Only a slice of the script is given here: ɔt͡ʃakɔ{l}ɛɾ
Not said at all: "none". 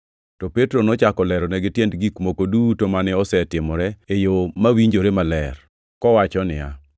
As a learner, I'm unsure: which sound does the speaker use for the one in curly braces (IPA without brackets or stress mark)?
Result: l